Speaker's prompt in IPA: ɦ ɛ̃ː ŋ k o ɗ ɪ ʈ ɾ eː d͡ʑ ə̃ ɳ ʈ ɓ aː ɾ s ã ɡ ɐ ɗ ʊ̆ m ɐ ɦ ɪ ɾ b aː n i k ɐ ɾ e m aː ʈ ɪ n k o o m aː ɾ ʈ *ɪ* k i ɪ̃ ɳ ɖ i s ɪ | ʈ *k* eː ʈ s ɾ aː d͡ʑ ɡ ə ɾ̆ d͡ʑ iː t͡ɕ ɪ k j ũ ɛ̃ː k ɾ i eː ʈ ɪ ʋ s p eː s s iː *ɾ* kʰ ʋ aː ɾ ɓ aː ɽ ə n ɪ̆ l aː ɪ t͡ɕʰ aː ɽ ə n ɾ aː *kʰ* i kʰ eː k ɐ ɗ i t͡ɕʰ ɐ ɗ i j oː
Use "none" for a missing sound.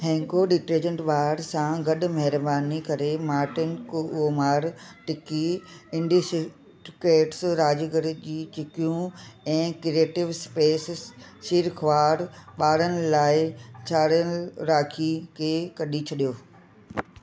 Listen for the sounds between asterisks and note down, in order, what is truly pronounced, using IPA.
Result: ɪ, k, ɾ, kʰ

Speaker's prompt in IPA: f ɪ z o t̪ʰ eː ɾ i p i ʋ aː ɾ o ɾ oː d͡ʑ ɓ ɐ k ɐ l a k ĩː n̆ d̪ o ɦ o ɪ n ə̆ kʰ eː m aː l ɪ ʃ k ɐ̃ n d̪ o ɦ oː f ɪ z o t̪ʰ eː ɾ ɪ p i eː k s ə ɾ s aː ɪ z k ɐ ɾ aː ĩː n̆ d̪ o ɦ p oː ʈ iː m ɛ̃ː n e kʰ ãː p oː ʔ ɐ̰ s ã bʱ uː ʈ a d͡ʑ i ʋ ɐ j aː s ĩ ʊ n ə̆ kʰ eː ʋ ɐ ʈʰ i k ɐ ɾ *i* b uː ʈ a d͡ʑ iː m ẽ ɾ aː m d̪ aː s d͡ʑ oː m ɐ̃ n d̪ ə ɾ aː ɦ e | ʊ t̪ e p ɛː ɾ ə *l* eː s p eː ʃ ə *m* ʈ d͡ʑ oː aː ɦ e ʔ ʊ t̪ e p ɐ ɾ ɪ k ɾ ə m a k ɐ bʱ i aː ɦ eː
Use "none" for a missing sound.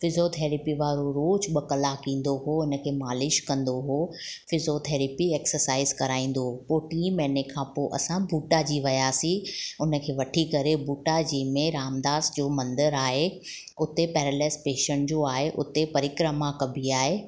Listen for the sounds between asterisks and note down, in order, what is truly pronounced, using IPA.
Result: e, l, ɳ

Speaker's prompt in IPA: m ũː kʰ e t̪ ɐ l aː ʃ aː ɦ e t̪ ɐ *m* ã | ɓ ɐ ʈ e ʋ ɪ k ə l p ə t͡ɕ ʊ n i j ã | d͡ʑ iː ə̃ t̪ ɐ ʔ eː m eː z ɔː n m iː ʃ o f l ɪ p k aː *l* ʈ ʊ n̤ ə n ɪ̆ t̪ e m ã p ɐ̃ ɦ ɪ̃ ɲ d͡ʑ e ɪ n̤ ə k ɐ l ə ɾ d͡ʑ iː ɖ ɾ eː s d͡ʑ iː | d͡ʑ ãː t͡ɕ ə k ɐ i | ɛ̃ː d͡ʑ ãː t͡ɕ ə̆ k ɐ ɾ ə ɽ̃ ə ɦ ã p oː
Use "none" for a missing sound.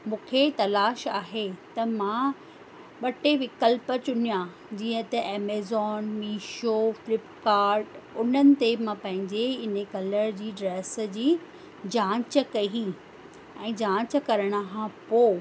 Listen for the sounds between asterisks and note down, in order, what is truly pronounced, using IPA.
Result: m, ɾ

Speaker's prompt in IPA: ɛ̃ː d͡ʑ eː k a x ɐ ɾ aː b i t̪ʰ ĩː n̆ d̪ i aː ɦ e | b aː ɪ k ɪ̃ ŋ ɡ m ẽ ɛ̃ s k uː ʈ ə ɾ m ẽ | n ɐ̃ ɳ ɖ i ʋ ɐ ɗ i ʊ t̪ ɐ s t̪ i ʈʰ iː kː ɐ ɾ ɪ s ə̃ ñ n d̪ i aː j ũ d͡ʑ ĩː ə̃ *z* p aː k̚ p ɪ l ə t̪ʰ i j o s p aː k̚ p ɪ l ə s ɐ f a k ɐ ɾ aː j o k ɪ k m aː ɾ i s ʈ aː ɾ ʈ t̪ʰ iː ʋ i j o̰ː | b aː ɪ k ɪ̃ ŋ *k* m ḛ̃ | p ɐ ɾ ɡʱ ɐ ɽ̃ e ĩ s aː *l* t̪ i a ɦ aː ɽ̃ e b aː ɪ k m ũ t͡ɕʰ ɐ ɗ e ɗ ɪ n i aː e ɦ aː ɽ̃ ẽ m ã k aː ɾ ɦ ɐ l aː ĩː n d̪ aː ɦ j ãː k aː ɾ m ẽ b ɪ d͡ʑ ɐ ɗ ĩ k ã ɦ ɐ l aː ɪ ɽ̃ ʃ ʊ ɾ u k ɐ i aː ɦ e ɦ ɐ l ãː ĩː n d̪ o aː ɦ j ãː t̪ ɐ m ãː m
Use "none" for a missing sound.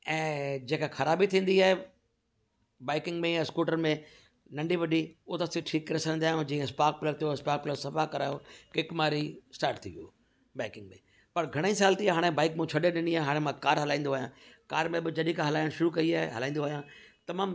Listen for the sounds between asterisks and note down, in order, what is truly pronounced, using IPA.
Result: s, ɡ, l

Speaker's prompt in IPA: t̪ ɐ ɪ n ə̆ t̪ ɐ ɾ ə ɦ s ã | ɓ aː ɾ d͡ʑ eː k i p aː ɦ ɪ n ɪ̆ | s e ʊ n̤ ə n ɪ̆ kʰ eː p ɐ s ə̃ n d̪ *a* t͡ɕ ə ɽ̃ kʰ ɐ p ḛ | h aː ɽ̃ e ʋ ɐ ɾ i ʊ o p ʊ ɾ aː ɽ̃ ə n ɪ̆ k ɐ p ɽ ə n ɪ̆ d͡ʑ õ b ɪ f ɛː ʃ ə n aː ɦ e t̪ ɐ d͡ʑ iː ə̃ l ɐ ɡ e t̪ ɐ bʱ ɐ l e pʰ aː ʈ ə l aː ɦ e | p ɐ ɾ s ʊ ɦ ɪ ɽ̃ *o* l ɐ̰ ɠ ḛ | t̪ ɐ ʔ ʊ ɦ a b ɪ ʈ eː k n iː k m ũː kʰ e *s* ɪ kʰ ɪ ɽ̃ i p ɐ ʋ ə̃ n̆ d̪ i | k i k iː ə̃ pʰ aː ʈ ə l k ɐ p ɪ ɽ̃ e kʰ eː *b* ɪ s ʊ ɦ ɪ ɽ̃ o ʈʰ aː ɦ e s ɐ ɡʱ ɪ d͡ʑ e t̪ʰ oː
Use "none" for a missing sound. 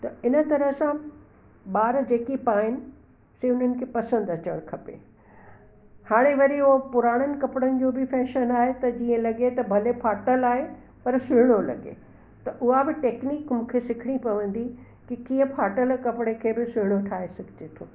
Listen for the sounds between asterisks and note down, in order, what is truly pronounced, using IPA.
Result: ɐ, o, s, b

